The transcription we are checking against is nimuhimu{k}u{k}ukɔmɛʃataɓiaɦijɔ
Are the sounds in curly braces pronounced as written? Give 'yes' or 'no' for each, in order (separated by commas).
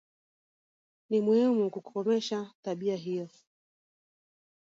yes, yes